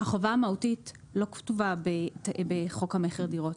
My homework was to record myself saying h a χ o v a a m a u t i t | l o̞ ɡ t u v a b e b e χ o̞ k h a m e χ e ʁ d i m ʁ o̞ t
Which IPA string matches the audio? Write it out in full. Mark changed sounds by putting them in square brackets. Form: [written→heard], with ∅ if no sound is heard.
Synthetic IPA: h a χ o v a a m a u t i t | l o̞ [ɡ→k] t u v a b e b e χ o̞ k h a m e χ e ʁ d i [m→∅] ʁ o̞ t